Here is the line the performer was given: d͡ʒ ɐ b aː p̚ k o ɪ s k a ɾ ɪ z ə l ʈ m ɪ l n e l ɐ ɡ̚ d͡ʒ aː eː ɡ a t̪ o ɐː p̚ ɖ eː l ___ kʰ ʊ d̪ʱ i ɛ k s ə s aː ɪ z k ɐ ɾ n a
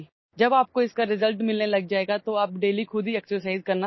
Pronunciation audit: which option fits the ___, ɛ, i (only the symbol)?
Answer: i